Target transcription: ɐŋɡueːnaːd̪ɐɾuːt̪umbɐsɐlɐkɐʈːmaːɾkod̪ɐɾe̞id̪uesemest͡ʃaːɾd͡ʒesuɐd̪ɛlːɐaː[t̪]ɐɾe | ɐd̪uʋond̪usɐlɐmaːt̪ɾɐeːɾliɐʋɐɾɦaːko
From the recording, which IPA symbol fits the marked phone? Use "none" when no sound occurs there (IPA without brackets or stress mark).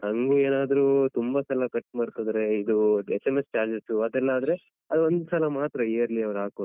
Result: d̪